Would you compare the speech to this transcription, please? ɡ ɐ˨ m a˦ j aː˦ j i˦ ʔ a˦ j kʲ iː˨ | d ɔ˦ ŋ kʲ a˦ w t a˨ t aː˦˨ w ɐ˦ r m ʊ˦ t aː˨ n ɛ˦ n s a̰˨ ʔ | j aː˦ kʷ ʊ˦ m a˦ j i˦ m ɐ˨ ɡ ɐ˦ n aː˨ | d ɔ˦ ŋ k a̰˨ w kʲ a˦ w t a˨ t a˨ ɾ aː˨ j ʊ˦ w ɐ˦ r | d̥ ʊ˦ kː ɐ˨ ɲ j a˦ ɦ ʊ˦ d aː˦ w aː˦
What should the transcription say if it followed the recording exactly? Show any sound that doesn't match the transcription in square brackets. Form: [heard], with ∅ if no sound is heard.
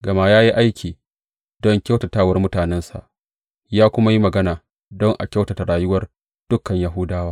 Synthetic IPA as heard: ɡ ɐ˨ m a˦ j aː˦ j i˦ ʔ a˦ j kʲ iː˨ | d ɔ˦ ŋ kʲ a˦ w t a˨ t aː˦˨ w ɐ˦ r m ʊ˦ t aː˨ n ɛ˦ n s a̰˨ ʔ | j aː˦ kʷ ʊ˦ m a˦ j i˦ m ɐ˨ ɡ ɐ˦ n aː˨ | d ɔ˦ ŋ [ʔ] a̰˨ [∅] kʲ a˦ w t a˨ t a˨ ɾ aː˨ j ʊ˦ w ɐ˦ r | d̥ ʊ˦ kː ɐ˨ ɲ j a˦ ɦ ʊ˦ d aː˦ w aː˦